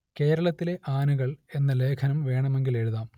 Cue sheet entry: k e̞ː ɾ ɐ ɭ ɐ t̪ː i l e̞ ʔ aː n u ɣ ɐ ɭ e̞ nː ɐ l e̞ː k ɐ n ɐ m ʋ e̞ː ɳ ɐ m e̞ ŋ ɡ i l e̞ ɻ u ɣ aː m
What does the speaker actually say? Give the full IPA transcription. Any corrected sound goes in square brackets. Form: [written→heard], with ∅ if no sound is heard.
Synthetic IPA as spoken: k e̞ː ɾ ɐ ɭ ɐ t̪ː i l e̞ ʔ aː n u ɣ ɐ ɭ e̞ nː ɐ l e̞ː [k→kʰ] ɐ n ɐ m ʋ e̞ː ɳ ɐ m e̞ ŋ ɡ i l e̞ ɻ u [ɣ→ð] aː m